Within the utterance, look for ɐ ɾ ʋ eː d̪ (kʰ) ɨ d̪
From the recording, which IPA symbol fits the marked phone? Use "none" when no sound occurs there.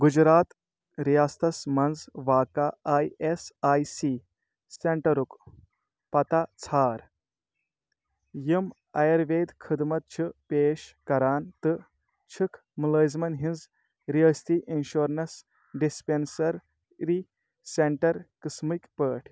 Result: kʰ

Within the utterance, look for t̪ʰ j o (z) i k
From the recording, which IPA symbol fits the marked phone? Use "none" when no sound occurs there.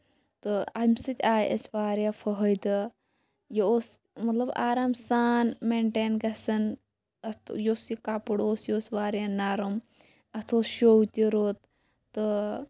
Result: s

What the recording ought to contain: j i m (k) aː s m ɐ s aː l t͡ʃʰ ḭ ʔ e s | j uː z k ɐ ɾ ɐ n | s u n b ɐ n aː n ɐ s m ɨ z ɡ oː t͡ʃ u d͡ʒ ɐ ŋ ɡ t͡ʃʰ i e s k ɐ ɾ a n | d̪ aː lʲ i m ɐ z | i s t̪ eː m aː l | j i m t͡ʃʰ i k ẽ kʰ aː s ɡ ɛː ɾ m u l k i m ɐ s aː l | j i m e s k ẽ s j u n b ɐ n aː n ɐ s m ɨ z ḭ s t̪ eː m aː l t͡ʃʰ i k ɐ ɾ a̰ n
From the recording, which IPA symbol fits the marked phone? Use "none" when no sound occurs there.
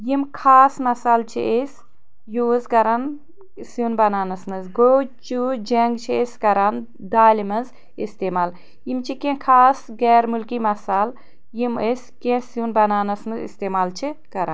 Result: kʰ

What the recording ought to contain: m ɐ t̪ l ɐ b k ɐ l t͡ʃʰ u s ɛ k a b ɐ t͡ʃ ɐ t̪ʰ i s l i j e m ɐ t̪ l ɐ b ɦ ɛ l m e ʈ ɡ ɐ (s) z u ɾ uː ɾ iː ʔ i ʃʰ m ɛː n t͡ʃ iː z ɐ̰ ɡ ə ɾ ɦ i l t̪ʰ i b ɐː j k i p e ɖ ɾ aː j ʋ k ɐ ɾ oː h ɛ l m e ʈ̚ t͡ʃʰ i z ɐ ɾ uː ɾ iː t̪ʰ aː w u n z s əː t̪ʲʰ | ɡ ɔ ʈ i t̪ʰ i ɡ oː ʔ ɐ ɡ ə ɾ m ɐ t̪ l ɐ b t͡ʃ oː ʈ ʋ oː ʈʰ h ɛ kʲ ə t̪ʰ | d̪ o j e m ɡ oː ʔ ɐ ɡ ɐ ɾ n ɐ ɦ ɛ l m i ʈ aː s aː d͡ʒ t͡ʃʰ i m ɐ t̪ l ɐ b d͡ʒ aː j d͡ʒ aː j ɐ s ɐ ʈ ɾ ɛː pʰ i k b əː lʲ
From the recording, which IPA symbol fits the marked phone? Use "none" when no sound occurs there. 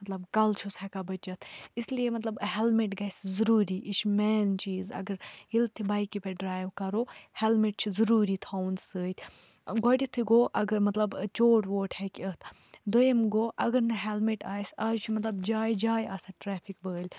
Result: s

